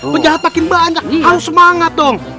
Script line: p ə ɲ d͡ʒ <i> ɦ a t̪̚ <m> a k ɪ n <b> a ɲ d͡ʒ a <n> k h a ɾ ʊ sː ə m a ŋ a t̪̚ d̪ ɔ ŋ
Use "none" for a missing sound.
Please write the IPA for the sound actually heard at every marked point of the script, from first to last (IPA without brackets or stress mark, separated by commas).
a, m, b, none